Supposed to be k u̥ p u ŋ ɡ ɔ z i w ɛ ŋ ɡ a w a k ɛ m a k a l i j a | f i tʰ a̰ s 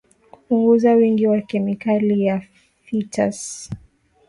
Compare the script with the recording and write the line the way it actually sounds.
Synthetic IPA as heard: k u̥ p u ŋ ɡ u z a w i ŋ ɡ i w a k ɛ m i k a l i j a | f i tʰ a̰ s